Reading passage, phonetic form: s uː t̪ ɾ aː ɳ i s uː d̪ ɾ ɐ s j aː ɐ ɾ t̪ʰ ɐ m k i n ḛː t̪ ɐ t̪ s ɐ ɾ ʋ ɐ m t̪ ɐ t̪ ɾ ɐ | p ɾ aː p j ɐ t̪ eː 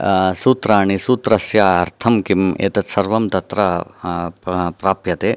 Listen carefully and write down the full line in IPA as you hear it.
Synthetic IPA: s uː t̪ ɾ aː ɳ i s uː t̪ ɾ ɐ s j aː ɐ ɾ t̪ʰ ɐ m k i m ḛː t̪ ɐ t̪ s ɐ ɾ ʋ ɐ m t̪ ɐ t̪ ɾ ɐ | p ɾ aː p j ɐ t̪ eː